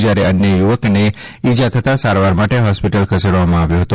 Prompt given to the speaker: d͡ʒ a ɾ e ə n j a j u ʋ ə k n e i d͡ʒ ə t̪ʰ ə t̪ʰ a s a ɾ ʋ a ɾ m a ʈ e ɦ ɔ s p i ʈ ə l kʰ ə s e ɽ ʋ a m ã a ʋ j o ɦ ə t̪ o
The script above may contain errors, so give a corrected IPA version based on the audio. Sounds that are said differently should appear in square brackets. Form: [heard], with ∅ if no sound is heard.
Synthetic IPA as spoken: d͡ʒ a ɾ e ə n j [ə] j u ʋ ə k n e i d͡ʒ [a] t̪ʰ ə [t̪] a s a ɾ ʋ a ɾ m a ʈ e ɦ ɔ s p i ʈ ə l kʰ ə s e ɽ ʋ a m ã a ʋ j o ɦ ə t̪ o